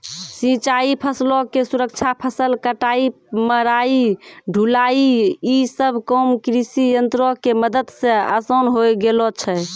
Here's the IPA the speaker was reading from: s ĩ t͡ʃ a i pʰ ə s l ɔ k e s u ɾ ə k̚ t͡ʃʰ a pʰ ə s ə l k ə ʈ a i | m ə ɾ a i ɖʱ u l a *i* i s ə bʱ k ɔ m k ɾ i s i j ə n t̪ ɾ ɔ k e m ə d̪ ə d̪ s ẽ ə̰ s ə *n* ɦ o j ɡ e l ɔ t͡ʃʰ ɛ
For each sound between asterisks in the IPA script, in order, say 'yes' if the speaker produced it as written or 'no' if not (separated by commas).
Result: yes, yes